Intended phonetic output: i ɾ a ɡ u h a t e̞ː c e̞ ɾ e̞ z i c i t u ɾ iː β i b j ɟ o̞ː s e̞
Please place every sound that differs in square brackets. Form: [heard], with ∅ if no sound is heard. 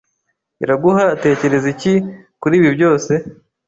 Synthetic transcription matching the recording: i ɾ a ɡ u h a t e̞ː c e̞ ɾ e̞ z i c i [k] u ɾ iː β i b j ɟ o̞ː s e̞